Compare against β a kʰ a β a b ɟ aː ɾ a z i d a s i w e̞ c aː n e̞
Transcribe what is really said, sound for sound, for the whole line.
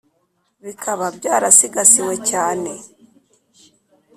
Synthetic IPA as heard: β i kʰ a β a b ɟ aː ɾ a s i ɡ a s i w e̞ c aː n e̞